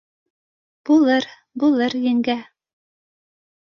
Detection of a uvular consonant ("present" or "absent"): absent